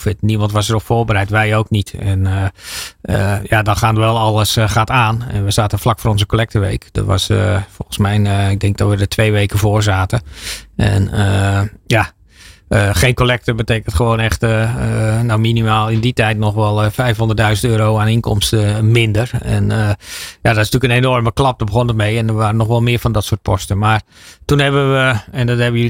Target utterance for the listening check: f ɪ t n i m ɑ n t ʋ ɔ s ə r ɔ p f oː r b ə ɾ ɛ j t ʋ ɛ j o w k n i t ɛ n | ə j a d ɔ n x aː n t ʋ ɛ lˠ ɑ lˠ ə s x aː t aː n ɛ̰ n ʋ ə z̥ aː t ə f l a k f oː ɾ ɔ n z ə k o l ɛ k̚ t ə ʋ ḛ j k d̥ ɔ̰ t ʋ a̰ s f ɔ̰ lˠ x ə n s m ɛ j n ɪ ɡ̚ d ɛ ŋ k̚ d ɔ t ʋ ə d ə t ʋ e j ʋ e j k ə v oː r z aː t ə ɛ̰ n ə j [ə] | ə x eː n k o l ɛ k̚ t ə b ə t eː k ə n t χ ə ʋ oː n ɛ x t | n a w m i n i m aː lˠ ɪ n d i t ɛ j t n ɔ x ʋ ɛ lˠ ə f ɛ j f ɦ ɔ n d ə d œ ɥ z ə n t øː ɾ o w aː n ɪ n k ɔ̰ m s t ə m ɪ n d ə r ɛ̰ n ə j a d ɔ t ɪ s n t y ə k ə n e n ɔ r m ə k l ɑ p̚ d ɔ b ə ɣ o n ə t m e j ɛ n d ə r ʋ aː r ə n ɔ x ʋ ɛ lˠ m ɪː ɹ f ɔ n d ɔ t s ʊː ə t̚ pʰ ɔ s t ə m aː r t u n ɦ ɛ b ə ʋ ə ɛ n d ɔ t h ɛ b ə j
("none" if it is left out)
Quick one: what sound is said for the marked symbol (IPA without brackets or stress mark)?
a